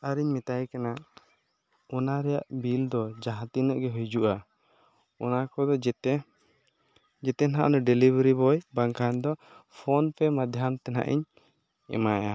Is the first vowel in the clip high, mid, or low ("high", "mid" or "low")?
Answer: low